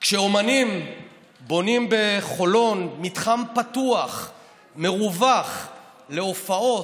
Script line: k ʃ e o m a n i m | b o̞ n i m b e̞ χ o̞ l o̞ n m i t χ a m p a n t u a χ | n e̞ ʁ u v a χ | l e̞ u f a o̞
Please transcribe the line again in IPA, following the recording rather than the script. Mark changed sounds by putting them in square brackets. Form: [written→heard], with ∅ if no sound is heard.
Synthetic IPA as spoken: k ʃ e o m a n i m | b o̞ n i m b e̞ χ o̞ l o̞ n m i t χ a m p a [n→∅] t u a χ | [n→m] e̞ ʁ u v a χ | l e̞ [u→o] f a o̞